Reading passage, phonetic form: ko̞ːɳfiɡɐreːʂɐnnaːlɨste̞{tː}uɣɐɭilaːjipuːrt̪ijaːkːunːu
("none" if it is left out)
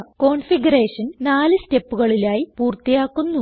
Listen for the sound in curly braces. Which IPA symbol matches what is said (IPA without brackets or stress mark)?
pː